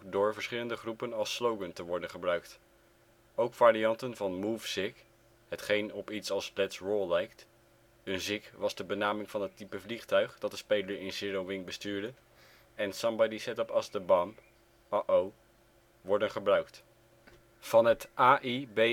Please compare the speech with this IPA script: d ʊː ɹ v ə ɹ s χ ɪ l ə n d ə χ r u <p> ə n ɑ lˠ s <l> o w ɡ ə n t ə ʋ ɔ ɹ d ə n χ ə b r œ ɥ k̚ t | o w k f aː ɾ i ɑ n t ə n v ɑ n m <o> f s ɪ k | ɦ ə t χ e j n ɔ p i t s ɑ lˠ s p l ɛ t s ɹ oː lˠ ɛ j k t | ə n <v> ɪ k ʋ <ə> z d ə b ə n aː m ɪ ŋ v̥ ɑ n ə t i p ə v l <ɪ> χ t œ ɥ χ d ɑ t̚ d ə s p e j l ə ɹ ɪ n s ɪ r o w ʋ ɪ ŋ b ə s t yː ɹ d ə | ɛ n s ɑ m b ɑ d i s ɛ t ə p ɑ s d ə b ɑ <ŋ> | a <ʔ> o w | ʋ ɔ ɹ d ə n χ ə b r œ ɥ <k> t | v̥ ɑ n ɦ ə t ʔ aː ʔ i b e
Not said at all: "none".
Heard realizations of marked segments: p, l, u, z, ɑ, i, m, ʔ, k

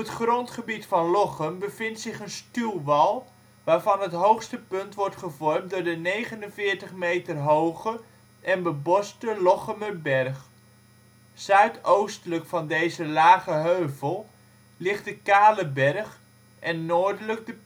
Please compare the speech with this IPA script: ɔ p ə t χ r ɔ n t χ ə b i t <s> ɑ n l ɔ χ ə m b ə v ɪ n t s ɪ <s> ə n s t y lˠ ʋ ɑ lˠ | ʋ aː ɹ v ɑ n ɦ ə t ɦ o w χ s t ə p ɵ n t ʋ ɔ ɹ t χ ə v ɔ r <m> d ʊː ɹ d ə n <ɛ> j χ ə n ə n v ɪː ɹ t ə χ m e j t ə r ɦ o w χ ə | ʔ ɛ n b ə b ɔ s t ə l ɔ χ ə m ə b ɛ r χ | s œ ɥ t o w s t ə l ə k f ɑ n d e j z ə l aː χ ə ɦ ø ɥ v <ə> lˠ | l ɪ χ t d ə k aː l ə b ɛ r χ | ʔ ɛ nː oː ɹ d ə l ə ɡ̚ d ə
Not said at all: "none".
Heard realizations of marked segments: f, χ, m, e, ə

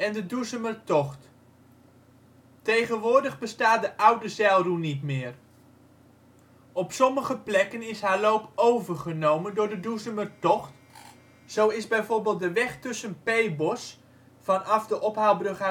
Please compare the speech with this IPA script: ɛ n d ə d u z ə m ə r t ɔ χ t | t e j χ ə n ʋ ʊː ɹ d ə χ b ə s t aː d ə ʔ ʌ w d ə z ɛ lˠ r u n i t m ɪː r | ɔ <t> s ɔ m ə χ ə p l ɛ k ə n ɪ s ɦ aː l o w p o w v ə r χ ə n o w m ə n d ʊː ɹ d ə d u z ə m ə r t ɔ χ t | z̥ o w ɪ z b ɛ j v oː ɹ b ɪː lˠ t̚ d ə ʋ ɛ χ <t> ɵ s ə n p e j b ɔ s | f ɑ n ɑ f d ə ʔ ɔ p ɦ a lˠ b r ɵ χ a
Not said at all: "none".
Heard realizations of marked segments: p, t

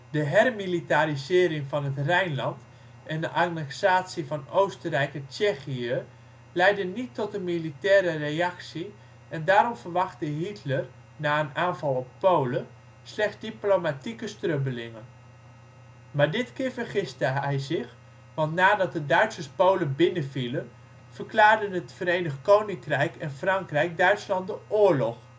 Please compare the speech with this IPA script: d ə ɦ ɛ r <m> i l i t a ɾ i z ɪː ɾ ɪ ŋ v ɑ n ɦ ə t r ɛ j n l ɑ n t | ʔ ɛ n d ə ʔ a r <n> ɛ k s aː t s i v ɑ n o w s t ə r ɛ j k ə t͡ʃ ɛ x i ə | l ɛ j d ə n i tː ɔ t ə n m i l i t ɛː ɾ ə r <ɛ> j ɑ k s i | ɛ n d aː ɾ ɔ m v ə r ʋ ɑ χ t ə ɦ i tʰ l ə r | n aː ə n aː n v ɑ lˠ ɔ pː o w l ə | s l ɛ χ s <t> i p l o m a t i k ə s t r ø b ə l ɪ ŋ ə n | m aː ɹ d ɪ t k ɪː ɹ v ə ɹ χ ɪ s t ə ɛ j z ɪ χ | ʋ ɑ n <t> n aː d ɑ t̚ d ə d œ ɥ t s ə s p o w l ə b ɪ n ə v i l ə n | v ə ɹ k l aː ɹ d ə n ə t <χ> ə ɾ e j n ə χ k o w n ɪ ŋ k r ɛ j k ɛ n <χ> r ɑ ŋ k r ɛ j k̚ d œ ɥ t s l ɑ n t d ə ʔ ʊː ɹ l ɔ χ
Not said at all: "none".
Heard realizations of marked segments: m, n, e, d, t, f, f

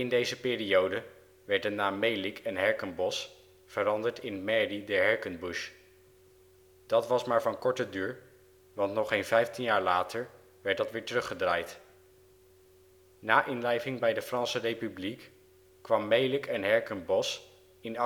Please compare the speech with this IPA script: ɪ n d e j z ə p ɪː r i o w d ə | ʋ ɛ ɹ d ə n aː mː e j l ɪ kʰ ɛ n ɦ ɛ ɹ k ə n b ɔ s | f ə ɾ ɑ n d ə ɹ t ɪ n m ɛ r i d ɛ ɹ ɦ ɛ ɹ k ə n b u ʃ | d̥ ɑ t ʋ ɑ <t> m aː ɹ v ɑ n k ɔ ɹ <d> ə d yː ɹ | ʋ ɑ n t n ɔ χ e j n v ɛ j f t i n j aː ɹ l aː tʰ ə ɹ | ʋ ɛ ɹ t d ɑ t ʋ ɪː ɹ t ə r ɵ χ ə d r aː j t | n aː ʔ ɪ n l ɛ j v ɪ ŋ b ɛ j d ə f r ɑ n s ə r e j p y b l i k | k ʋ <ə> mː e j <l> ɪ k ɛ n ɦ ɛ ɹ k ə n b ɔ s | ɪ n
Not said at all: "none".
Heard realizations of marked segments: s, t, ɑ, l

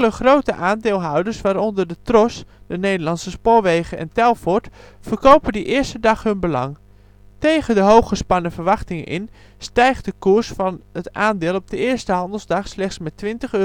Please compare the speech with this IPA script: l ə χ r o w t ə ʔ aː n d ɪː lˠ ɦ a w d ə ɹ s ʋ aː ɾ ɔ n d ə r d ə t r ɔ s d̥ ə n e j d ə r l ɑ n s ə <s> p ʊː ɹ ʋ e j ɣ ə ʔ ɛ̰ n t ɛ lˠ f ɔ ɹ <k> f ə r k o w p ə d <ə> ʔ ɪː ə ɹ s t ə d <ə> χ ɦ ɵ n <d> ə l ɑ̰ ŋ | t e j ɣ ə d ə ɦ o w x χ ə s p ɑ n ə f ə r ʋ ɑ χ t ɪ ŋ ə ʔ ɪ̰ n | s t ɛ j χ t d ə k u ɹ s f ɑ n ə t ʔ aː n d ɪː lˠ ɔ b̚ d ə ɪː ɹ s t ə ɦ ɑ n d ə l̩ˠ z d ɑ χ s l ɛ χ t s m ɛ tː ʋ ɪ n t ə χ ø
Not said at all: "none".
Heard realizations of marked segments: s, t, ə, ɑ, b

